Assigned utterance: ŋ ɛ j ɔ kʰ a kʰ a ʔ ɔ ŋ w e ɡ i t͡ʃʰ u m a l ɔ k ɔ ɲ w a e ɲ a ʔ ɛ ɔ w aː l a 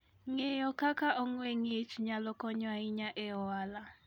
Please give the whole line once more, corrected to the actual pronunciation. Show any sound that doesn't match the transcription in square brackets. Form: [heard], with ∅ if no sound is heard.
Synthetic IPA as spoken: ŋ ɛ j ɔ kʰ a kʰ a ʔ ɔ ŋ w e [ŋ] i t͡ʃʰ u [ɲ] a l ɔ k ɔ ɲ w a [i] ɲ a ʔ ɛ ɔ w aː l a